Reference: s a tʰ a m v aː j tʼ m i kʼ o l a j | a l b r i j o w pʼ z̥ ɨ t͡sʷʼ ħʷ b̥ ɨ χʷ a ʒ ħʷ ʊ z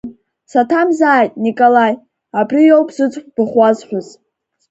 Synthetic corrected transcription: s a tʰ a m z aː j tʼ n i kʼ o l a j | a b r i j o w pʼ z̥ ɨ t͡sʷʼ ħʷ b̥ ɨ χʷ a z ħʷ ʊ z

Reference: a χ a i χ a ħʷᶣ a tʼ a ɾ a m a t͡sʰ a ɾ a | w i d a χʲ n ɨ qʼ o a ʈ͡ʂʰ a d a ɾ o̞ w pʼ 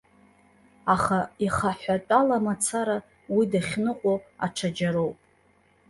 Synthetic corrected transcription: a χ a i χ a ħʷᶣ a tʼ a l a m a t͡sʰ a ɾ a | w i d a χʲ n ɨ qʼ o a ʈ͡ʂʰ a d͡ʒ a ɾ o̞ w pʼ

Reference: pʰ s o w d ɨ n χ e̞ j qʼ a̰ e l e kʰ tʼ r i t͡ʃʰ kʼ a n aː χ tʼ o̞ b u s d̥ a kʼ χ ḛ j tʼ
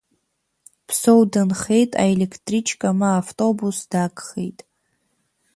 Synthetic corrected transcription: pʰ s o w d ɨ n χ e̞ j tʼ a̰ e l e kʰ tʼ r i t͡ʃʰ kʼ a m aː f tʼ o̞ b u s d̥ a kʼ χ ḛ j tʼ

